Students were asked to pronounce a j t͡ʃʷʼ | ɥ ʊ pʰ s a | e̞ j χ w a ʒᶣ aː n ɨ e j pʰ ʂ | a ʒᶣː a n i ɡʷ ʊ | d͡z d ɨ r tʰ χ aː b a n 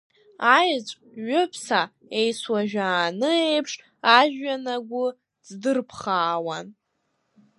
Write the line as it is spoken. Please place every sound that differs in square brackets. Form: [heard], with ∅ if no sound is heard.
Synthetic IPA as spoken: a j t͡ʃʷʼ | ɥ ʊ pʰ s a | e̞ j [s] w a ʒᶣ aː n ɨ e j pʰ ʂ | a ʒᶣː a n [a] ɡʷ ʊ | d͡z d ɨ r [pʰ] χ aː [w] a n